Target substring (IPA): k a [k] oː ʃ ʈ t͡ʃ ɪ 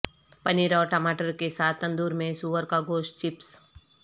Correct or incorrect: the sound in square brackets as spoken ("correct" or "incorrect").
incorrect